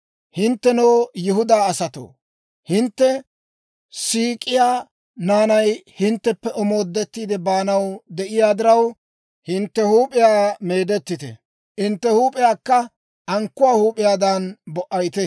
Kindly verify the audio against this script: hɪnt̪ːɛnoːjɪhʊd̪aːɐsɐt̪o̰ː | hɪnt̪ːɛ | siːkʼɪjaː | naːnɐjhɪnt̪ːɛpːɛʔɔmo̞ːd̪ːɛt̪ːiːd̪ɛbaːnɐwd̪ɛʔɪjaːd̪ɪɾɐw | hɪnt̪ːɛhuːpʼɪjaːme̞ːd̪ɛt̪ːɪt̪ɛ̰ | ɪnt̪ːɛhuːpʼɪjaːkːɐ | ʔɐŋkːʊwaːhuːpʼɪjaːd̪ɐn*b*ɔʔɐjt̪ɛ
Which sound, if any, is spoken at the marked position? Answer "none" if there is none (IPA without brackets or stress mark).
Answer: b